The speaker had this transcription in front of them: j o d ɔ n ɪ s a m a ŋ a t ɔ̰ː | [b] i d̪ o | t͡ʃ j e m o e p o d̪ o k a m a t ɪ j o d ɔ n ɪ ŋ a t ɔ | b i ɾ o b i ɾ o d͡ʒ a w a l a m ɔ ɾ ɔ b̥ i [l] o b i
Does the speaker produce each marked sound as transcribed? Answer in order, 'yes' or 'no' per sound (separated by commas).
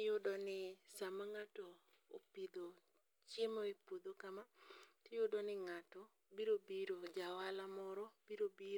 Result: no, no